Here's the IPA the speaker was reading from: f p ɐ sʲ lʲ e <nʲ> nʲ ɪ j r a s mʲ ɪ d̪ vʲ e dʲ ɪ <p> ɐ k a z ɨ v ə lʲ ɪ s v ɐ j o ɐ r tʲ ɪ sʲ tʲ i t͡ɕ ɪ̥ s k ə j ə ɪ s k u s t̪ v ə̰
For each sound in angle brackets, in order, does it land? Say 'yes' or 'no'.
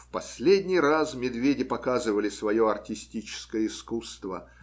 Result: no, yes

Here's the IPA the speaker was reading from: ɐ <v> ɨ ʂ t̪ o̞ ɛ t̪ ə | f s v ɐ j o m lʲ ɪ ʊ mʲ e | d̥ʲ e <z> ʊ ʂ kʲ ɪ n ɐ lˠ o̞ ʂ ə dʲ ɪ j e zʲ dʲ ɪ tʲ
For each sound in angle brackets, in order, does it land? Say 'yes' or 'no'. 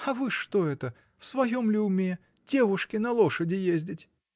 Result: yes, no

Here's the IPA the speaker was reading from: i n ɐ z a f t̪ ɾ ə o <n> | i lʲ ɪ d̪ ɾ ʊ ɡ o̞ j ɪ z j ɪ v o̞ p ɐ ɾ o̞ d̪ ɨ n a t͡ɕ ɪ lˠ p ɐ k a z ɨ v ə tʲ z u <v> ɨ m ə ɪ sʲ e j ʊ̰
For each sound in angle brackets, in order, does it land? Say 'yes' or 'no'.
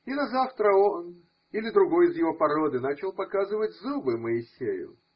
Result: yes, no

